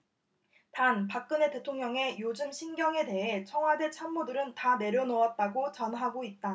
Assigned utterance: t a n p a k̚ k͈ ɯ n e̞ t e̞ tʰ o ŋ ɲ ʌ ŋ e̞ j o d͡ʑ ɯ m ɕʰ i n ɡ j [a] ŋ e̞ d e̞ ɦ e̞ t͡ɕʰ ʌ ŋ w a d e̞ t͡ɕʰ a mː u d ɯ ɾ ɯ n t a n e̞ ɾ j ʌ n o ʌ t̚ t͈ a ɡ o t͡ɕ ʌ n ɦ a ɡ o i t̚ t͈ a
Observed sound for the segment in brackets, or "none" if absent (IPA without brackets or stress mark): ʌ